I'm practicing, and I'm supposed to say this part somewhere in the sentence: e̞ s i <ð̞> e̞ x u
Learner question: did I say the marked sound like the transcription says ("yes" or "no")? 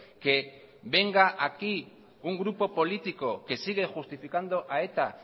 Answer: no